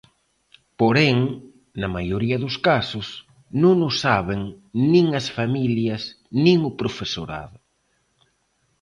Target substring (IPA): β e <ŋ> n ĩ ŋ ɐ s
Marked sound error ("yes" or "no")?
no